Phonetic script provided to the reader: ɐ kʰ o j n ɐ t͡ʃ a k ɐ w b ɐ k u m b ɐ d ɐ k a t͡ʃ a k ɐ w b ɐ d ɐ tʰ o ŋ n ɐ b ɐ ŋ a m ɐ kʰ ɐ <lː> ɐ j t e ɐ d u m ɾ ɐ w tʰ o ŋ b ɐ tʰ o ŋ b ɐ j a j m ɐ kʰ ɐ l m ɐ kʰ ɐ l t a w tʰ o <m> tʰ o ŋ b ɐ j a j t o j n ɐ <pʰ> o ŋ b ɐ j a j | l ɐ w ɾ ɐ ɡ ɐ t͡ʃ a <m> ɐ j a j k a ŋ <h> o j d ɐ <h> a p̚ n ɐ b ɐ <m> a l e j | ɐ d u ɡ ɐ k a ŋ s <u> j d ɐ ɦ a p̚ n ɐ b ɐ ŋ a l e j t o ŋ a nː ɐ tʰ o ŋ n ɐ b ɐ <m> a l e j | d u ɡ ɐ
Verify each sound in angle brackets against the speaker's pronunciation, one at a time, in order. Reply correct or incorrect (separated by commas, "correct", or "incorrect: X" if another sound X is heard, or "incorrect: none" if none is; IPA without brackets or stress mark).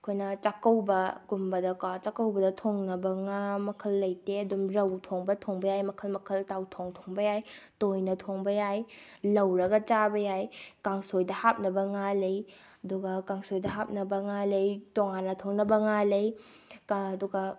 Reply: correct, incorrect: ŋ, incorrect: tʰ, incorrect: b, incorrect: s, correct, incorrect: ŋ, incorrect: o, incorrect: ŋ